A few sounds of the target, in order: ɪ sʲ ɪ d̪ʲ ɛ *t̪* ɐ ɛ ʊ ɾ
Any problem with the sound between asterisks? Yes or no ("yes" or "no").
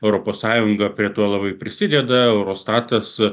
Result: yes